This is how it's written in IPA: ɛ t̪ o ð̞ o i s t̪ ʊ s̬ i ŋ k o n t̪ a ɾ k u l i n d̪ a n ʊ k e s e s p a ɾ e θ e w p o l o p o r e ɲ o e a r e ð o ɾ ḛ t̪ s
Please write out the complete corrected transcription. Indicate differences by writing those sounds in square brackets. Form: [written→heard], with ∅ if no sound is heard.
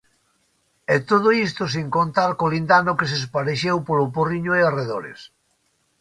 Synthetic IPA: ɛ t̪ o ð̞ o i s t̪ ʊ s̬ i ŋ k o n t̪ a ɾ k [u→o] l i n d̪ a n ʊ k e s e s p a ɾ e [θ→ʃ] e w p o l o p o r [e→i] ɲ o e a r e ð o ɾ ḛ [t̪→∅] s